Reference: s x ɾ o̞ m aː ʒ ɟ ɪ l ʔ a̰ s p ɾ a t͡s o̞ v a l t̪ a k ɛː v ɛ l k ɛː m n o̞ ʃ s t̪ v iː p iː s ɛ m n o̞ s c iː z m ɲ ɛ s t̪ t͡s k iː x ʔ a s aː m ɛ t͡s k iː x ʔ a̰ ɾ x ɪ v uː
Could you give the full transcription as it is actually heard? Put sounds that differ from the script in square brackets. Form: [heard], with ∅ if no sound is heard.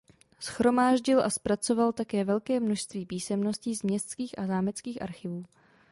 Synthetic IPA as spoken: s x ɾ o̞ m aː ʒ ɟ ɪ l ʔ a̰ s p ɾ a t͡s o̞ v a l t̪ a k ɛː v ɛ l k ɛː m n o̞ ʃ s t̪ v iː p iː s ɛ m n o̞ s c iː z m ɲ ɛ s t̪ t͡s k iː x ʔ a [z] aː m ɛ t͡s k iː x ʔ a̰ ɾ x ɪ v uː